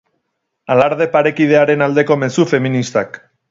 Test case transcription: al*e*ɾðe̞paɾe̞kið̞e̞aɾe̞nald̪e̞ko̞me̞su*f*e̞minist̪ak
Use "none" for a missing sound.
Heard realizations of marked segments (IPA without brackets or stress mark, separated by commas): a, f